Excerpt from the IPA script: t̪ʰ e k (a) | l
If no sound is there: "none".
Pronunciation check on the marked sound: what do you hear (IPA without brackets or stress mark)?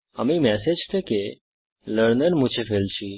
e